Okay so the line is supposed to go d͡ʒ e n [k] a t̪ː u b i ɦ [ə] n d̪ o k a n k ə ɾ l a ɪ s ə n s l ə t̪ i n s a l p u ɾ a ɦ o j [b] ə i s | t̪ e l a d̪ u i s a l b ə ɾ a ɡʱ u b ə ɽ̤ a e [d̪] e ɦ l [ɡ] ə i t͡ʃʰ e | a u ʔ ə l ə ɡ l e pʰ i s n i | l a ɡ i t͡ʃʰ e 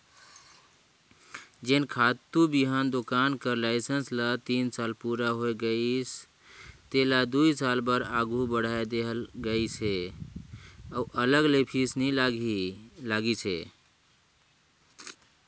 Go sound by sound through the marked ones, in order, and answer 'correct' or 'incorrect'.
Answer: incorrect: kʰ, incorrect: a, incorrect: ɡ, correct, correct

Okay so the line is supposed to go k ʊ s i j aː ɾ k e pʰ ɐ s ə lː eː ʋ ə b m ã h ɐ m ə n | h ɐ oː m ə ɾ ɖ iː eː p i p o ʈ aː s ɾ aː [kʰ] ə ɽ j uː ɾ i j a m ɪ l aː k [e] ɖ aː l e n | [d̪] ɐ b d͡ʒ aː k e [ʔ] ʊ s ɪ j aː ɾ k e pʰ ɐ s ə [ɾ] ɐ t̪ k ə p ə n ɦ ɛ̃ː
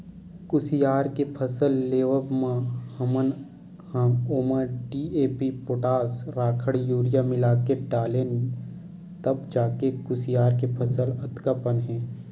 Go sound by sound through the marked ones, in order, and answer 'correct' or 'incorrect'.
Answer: correct, correct, incorrect: t̪, incorrect: k, incorrect: l

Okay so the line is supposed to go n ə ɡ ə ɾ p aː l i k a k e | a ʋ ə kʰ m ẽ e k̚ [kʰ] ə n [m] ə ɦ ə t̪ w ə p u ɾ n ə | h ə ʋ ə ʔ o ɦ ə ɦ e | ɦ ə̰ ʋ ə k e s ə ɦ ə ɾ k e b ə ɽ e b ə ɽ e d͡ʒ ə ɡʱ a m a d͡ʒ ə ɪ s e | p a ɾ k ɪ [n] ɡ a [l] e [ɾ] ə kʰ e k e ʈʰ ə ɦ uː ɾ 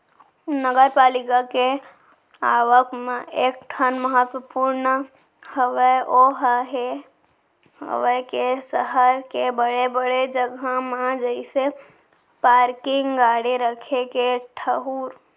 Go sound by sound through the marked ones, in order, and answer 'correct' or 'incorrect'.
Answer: incorrect: ʈʰ, correct, incorrect: ŋ, incorrect: ɽ, correct

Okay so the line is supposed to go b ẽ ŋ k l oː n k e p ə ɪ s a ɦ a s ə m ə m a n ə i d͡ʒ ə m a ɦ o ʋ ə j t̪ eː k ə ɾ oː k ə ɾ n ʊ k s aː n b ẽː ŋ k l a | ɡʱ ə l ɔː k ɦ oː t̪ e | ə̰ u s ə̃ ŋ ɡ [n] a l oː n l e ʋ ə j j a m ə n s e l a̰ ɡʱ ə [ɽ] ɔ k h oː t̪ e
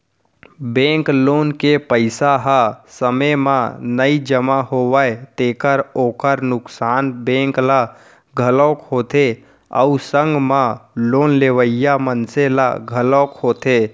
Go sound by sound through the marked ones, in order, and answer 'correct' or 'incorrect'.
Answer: incorrect: m, incorrect: l

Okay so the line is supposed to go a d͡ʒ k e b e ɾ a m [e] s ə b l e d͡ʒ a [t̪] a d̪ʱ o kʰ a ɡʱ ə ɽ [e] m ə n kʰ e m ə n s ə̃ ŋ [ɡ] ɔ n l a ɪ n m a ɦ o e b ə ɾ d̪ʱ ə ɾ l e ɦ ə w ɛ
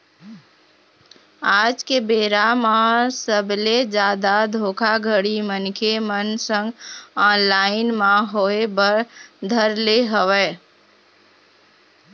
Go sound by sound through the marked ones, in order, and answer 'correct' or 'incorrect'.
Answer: incorrect: a, incorrect: d̪, incorrect: i, correct

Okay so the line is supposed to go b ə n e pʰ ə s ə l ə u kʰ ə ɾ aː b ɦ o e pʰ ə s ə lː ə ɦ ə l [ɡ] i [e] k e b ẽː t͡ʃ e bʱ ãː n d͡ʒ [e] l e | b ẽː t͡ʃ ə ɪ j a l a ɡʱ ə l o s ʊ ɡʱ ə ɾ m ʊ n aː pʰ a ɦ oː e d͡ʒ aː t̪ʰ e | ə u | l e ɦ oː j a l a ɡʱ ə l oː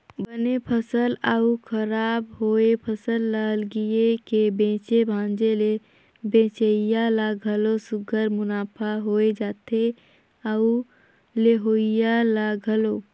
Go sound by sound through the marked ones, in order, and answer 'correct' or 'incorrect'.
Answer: correct, correct, correct

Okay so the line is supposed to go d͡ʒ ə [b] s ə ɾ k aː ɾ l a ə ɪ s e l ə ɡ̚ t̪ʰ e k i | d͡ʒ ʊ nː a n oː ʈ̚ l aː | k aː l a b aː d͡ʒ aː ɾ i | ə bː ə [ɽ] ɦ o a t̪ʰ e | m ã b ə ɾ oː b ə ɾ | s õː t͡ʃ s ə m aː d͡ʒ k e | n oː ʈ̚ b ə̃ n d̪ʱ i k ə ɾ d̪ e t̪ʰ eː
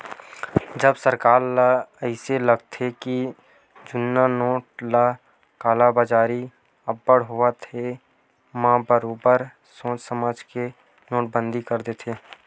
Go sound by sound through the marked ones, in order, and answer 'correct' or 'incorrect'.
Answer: correct, correct

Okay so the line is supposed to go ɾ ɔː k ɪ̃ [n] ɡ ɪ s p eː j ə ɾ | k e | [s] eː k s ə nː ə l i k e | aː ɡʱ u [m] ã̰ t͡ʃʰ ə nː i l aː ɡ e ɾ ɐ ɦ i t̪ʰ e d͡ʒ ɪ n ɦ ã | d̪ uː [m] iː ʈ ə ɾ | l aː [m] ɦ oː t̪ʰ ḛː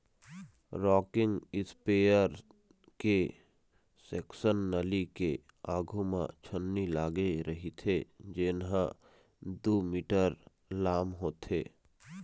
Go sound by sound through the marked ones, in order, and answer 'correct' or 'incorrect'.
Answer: incorrect: ŋ, correct, correct, correct, correct

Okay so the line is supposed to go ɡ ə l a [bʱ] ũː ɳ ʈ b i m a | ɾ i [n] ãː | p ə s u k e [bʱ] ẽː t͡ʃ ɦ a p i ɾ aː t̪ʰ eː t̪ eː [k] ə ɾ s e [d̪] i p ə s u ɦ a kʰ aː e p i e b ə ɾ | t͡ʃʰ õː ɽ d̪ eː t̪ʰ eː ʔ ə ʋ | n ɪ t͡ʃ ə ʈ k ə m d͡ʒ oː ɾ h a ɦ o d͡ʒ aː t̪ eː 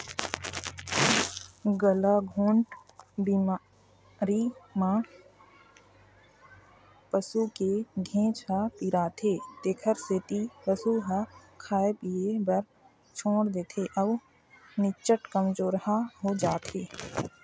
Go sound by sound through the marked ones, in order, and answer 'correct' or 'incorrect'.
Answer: incorrect: ɡʱ, incorrect: m, incorrect: ɡʱ, incorrect: kʰ, incorrect: t̪

